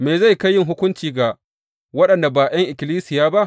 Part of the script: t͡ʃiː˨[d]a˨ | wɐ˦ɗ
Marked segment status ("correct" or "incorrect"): incorrect